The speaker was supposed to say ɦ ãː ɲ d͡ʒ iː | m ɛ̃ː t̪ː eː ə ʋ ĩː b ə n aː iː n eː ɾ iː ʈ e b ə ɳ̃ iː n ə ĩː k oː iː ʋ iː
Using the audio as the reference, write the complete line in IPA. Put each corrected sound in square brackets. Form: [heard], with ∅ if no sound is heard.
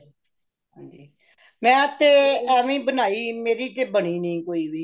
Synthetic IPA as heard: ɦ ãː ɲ d͡ʒ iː | m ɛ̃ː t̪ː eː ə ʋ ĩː b ə n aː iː [m] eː ɾ iː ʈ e b ə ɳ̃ iː n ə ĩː k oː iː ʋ iː